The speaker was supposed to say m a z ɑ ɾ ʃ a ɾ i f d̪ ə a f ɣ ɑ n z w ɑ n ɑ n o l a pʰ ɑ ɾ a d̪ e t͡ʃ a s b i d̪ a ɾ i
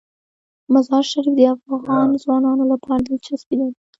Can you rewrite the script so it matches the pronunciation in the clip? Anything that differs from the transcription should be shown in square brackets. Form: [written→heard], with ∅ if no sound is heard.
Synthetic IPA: m a z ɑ ɾ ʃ a ɾ i f d̪ ə a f ɣ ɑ n z w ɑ n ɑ n o l a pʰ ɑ ɾ a d̪ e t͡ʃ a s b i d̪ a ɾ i